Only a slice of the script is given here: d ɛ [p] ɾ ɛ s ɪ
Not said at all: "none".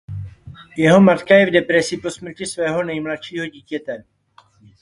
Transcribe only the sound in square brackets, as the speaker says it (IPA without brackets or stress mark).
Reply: p